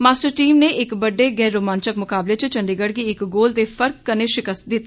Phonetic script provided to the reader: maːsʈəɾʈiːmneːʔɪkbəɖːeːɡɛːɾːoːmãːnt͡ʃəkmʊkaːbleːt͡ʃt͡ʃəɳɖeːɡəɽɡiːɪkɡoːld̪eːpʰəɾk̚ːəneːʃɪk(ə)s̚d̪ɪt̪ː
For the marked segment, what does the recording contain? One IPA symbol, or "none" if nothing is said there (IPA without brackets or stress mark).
ə